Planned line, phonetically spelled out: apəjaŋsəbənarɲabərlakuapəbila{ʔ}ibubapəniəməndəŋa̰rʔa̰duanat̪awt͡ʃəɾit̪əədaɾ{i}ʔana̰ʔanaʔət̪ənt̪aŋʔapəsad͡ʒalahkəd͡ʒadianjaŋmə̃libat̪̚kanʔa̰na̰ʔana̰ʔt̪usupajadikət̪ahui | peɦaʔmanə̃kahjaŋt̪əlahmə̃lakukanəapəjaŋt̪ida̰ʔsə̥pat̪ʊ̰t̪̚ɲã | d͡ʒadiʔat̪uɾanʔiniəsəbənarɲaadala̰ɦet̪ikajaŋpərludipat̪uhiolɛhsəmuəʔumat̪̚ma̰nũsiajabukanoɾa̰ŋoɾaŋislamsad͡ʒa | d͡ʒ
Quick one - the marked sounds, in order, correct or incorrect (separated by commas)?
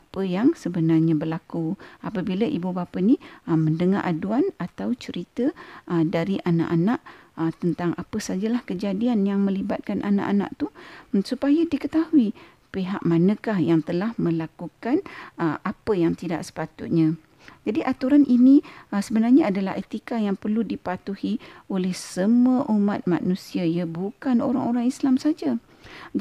correct, correct